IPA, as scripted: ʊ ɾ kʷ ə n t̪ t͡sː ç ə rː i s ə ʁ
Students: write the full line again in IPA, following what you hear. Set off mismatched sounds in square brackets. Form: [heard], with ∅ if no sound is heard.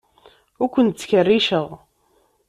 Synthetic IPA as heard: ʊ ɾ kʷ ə n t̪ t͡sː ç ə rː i [ʃ] ə ʁ

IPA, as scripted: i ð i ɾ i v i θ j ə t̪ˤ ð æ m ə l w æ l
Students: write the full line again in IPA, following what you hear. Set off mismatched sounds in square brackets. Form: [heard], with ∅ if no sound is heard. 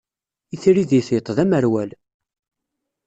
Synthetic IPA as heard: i [θ] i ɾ i [ð] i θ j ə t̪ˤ ð æ m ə [ɾ] w æ l

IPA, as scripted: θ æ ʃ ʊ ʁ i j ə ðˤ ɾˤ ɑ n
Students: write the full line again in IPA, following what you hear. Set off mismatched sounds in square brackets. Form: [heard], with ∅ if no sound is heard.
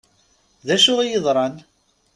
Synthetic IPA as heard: [ð] æ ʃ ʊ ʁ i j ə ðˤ ɾˤ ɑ n

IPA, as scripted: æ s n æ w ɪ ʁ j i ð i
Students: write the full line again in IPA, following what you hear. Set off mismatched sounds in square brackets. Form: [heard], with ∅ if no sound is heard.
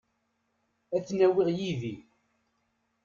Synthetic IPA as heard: æ [θ] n æ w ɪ ʁ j i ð i

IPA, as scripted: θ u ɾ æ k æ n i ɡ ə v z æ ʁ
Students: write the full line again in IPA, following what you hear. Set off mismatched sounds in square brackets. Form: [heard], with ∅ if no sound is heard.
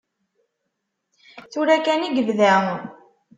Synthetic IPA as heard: θ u ɾ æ k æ n i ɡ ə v [ð] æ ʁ

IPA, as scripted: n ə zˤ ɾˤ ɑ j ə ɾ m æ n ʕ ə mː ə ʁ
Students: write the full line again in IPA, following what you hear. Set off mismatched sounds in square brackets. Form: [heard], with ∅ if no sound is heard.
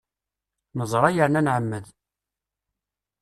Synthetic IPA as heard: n ə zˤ ɾˤ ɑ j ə ɾ [n] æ n ʕ ə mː ə [ð]

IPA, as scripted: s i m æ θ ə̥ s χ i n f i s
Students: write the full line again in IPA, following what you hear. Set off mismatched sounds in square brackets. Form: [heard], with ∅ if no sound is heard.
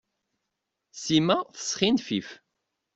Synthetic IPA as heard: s i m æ θ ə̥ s χ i n f i [f]

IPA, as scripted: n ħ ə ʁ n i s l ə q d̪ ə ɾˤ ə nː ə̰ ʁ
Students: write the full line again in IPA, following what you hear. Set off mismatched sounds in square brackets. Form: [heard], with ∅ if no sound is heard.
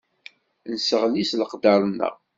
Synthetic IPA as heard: n [s] ə ʁ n i s l ə q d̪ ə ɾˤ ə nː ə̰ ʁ

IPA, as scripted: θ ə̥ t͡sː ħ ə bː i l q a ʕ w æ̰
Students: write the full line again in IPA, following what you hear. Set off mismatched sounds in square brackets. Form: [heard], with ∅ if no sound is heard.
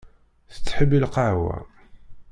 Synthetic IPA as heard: θ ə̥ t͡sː ħ ə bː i l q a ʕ w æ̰

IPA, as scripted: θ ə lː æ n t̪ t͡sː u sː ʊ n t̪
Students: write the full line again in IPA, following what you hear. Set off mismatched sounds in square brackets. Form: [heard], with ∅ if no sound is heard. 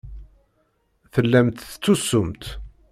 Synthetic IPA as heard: θ ə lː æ [m] t̪ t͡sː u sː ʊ [m] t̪

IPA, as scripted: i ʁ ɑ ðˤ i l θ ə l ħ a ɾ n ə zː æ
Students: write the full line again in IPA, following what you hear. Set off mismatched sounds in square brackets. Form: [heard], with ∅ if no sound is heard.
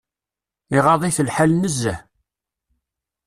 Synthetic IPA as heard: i ʁ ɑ ðˤ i [∅] θ ə l ħ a [l] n ə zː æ

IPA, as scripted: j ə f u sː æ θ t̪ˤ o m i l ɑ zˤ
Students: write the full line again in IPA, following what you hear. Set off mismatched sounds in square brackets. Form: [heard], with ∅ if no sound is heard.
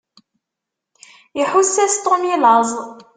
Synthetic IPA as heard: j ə [ħ] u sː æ [s] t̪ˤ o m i l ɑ zˤ

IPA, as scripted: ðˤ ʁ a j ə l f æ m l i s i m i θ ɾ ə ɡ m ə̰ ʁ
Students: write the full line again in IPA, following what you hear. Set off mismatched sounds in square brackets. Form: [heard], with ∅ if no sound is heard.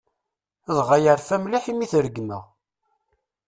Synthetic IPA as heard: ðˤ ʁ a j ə [ɾ] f æ m l i [ħ] i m i θ ɾ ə ɡ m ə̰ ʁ

